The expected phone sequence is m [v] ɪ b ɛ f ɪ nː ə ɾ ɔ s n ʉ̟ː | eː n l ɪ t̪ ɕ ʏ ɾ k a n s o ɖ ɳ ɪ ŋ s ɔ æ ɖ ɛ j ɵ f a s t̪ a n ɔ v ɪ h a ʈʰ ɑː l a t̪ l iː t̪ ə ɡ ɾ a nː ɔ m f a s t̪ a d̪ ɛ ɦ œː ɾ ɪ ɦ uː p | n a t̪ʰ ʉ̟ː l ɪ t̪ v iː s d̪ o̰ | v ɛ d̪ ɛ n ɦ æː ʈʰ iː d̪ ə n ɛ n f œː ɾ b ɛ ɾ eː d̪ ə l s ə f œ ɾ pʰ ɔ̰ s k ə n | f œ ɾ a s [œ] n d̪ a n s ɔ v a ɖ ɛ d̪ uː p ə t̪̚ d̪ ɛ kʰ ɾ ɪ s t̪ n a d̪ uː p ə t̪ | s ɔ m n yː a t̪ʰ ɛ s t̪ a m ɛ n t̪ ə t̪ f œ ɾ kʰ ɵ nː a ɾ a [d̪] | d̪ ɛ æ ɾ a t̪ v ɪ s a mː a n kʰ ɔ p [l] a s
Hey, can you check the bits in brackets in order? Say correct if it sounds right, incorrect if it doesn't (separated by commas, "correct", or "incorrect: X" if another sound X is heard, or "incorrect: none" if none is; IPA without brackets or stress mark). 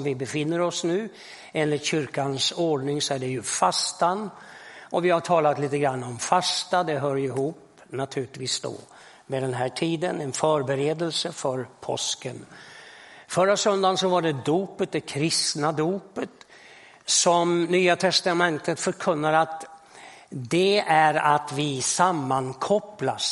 correct, correct, incorrect: t̪, correct